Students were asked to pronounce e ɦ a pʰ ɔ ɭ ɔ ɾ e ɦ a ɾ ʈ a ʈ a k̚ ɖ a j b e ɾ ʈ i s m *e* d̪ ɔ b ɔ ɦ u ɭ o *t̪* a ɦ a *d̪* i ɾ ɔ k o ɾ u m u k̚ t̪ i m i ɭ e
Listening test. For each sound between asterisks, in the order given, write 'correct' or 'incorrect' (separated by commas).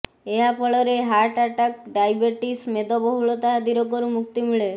correct, correct, correct